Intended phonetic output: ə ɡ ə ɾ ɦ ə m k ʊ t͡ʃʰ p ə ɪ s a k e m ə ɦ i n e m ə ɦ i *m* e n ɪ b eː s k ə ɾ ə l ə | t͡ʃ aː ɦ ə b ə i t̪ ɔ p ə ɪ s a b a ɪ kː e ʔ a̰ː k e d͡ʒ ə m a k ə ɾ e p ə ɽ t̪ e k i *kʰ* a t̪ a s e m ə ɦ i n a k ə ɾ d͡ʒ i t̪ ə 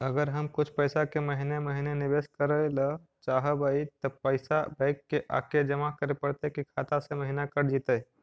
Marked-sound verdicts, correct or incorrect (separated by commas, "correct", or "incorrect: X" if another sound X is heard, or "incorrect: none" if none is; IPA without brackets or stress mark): incorrect: n, correct